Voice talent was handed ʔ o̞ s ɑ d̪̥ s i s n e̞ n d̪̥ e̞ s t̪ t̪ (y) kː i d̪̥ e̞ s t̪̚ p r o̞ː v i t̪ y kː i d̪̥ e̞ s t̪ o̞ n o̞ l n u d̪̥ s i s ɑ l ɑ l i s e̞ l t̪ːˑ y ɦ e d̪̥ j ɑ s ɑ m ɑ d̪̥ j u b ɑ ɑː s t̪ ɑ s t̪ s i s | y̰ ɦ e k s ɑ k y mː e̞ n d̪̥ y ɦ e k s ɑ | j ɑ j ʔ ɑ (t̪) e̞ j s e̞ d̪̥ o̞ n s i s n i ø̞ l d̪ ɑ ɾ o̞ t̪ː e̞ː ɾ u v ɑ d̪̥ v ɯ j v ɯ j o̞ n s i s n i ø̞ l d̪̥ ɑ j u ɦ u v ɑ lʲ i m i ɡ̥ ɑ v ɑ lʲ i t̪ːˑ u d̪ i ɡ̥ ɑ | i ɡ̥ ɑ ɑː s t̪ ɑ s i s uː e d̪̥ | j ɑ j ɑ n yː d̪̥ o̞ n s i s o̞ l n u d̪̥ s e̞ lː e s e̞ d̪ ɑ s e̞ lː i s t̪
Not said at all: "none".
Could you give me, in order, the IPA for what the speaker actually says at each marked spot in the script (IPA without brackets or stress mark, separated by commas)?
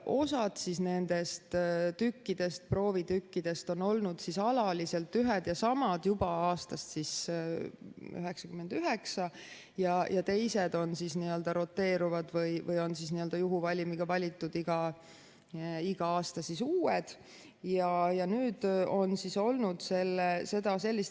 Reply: y, t̪